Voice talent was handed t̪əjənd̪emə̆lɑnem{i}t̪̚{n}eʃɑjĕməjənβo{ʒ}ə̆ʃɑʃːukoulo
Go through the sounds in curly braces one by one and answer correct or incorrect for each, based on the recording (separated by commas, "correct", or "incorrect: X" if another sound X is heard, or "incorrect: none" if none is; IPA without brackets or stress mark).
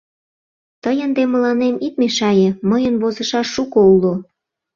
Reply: correct, incorrect: m, incorrect: z